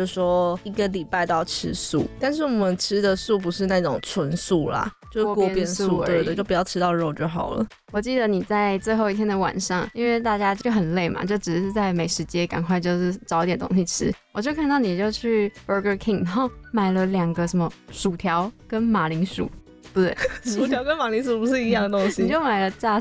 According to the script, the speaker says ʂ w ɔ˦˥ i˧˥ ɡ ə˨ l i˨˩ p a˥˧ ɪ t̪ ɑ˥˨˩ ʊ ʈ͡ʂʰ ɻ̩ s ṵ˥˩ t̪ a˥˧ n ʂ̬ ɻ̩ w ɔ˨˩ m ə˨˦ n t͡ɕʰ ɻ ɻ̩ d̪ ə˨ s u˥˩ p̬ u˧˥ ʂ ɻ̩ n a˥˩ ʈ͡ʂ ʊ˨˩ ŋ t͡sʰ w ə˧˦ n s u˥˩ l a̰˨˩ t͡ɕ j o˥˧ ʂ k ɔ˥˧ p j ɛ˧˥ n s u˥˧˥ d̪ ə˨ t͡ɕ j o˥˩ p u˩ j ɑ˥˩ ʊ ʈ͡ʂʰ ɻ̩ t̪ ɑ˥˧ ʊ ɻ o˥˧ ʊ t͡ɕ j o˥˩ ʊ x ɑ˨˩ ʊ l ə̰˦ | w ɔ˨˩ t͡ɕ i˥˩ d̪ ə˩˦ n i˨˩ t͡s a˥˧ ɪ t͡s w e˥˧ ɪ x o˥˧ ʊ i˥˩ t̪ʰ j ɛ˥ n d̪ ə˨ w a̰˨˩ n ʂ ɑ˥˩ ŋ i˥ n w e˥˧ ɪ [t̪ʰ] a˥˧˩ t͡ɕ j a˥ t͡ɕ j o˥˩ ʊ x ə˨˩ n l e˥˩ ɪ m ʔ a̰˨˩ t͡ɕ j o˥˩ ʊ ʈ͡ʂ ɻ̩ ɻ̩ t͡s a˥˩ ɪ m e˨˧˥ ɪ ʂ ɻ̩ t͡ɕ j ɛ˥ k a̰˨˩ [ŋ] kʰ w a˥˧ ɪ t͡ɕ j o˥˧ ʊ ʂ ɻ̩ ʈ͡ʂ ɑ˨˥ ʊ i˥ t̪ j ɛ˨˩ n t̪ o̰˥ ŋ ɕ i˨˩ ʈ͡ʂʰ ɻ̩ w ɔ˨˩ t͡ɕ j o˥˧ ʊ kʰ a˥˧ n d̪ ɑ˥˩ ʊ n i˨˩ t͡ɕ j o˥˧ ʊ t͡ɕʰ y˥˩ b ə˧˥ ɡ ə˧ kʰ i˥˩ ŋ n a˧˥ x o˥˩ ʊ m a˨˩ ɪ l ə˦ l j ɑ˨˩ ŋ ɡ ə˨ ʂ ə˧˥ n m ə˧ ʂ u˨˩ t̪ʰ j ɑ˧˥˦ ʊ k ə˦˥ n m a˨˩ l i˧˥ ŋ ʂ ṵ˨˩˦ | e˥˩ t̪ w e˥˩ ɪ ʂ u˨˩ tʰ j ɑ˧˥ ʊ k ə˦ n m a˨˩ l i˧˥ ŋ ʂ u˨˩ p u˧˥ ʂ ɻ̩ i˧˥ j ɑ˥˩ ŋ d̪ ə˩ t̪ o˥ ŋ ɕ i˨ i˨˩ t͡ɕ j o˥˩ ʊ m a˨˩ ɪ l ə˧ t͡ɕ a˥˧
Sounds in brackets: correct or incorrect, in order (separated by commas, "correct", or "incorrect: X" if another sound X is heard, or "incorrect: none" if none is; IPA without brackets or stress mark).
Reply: incorrect: t̪, incorrect: n